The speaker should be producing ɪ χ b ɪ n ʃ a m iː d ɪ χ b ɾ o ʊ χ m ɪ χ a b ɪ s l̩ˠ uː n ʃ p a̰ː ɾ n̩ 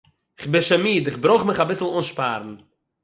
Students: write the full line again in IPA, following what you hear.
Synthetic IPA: ɪ χ b ɪ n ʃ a m iː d ɪ χ b ɾ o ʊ χ m ɪ χ a b ɪ s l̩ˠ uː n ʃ p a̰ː ɾ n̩